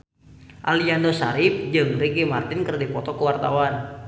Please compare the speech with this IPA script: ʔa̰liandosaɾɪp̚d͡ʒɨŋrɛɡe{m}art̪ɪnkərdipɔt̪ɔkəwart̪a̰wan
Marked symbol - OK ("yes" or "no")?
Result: yes